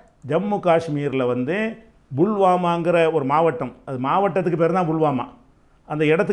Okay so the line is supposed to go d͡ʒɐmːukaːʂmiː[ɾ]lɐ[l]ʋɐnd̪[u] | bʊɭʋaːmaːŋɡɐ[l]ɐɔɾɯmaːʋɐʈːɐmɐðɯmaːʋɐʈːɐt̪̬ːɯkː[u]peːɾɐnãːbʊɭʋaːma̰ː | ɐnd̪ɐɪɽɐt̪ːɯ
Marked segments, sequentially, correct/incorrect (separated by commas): correct, incorrect, incorrect, incorrect, incorrect